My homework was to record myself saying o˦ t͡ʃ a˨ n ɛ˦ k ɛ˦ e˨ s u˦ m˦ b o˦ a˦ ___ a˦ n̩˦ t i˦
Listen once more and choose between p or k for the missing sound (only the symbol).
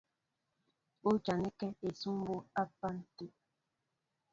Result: p